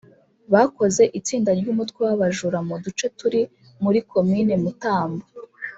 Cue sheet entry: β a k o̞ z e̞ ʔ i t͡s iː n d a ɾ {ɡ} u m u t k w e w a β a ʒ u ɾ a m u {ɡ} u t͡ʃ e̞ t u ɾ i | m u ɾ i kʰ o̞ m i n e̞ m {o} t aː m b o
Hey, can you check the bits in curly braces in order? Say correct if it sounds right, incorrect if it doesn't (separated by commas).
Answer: incorrect, incorrect, incorrect